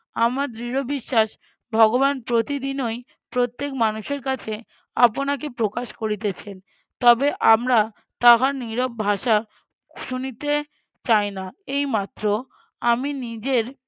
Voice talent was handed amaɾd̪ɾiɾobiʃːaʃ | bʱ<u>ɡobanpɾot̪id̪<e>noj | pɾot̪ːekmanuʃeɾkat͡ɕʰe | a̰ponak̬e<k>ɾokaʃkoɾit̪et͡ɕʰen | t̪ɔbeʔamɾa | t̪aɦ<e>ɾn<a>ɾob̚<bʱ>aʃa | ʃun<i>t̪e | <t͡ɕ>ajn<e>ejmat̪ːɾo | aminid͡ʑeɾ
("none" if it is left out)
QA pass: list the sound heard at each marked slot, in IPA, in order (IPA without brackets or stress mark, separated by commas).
ɔ, i, p, a, i, bʱ, i, t͡ɕ, a